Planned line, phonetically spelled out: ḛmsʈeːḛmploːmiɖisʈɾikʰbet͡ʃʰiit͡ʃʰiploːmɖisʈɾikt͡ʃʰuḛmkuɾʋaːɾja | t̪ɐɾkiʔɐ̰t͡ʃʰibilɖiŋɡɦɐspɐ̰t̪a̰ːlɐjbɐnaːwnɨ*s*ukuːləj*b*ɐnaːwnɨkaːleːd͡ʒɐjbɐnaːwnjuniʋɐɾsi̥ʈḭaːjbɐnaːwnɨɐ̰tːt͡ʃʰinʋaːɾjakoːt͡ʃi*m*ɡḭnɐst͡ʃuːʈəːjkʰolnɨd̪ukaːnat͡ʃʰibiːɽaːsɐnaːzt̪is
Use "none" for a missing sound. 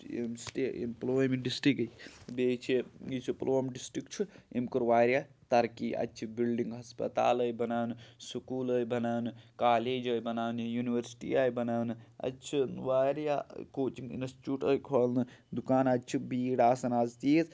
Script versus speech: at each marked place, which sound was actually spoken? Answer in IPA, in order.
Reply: s, b, ŋ

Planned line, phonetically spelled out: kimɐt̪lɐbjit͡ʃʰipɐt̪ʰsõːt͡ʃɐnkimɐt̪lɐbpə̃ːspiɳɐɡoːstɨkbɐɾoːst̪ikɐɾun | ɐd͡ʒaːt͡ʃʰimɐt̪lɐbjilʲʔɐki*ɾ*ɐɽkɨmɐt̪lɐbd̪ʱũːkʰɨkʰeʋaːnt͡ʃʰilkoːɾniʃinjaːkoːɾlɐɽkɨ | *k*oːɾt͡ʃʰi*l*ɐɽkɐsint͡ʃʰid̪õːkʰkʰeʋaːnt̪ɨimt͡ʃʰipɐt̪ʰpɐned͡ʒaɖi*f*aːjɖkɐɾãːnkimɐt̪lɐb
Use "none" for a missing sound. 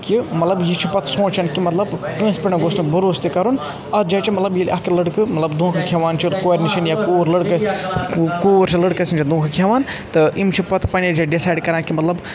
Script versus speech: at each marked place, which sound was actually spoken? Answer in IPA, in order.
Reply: l, k, l, s

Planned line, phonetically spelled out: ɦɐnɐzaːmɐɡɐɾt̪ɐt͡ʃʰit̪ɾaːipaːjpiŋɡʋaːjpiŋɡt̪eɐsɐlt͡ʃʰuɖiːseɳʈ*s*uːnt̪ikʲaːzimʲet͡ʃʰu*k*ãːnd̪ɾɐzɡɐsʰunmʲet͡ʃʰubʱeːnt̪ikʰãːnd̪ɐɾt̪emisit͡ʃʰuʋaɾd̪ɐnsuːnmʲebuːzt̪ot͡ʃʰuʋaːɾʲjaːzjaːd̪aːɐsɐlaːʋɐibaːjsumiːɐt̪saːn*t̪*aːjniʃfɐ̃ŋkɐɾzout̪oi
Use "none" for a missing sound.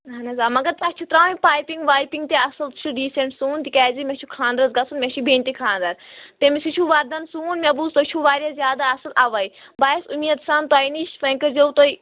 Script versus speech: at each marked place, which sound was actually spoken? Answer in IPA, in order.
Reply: s, kʰ, t̪

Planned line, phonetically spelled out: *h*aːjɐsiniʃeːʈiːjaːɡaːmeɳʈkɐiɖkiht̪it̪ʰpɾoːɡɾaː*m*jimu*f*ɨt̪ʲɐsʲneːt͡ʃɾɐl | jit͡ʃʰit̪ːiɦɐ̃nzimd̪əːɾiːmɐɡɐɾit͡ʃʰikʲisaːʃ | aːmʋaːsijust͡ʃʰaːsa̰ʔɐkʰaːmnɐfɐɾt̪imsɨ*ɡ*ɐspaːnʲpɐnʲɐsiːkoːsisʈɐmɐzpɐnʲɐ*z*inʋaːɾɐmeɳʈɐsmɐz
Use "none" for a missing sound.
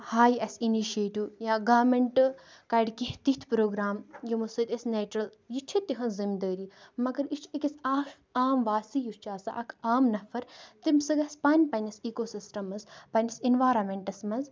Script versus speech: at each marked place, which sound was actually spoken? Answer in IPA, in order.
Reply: h, m, s, ɡ, s

